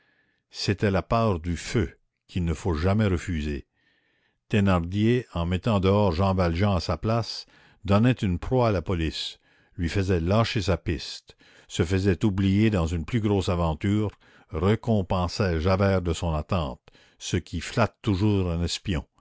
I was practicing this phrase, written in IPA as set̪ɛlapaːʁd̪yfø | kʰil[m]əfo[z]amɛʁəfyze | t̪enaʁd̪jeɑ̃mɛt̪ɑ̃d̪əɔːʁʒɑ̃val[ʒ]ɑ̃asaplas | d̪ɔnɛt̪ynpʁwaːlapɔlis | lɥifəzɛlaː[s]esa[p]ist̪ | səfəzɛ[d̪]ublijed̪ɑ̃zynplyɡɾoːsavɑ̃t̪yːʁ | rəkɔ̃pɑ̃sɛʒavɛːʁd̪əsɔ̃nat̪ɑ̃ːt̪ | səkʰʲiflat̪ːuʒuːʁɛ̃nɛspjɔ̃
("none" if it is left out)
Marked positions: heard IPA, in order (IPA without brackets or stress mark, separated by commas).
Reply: n, ʒ, ʒ, ʃ, p, t̪